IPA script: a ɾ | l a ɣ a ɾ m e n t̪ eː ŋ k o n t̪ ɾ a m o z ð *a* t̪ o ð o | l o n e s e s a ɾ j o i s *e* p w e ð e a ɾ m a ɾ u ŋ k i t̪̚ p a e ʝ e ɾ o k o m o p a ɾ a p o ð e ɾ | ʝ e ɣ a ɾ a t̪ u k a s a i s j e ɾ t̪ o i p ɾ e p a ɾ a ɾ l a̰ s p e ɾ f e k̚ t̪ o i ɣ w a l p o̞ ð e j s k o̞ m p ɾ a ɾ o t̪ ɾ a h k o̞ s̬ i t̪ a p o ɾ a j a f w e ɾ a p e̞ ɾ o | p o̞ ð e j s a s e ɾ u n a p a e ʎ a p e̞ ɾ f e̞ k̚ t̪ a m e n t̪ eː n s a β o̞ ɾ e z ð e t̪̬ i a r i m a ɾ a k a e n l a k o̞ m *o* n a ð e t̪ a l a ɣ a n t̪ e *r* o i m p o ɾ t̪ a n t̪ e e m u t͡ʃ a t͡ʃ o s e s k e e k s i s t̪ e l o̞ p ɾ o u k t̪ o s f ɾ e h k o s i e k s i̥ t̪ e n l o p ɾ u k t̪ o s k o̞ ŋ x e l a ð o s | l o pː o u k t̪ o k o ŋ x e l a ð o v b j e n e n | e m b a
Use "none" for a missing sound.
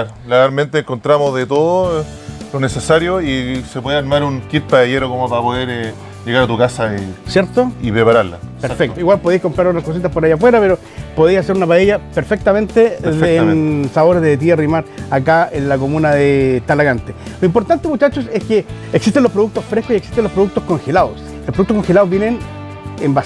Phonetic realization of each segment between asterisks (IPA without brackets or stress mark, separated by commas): e, e, u, l